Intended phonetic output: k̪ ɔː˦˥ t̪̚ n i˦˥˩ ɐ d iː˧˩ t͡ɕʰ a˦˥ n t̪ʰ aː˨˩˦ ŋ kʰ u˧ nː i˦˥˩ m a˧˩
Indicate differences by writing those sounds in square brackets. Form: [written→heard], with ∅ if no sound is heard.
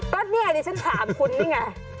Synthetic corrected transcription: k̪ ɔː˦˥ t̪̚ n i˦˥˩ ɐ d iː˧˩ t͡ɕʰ a˦˥ n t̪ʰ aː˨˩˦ [ŋ→m] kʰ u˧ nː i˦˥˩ [m→ŋ] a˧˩